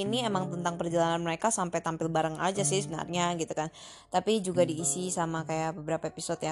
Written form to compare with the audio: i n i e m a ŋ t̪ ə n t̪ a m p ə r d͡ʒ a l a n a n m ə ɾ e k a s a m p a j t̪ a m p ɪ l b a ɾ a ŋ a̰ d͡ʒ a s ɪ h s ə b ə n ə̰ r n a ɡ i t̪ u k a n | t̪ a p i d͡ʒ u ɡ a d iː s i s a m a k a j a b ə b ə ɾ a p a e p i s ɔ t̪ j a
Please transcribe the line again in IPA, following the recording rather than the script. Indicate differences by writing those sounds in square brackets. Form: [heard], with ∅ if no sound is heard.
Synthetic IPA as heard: i n i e m a ŋ t̪ ə n t̪ a [ŋ] p ə r d͡ʒ a l a n a n m ə ɾ e k a s a m p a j t̪ a m p ɪ l b a ɾ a ŋ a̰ d͡ʒ a s ɪ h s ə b ə n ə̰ r [ɲ] a ɡ i t̪ u k a n | t̪ a p i d͡ʒ u ɡ a d iː s i s a m a k a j a b ə b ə ɾ a p a e p i s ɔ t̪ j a